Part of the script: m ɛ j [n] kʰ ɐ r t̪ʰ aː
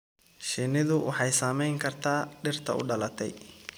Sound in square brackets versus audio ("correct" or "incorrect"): incorrect